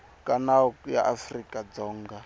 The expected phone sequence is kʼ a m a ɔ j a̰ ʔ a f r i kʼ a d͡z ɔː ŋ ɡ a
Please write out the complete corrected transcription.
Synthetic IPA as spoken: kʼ a n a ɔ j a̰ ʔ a f r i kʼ a d͡z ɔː ŋ ɡ a